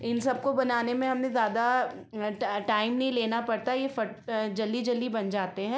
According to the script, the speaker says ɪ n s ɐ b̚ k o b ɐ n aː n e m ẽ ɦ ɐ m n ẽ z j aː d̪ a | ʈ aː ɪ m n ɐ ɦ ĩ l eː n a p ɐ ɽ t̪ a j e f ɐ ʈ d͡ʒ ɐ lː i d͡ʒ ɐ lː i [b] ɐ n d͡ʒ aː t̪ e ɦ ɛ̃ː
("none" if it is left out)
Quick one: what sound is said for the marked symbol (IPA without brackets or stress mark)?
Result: b